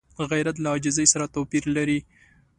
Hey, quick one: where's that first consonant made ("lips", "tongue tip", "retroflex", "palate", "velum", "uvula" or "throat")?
velum